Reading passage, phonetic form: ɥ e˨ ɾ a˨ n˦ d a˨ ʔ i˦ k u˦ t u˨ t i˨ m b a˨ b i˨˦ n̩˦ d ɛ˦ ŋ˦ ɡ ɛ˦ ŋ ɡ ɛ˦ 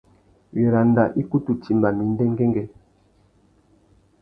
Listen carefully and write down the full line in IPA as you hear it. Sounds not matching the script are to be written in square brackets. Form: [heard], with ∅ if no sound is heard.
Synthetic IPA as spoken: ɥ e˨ ɾ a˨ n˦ d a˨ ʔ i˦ k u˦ t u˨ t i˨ m b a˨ [m] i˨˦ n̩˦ d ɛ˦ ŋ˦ ɡ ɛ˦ ŋ ɡ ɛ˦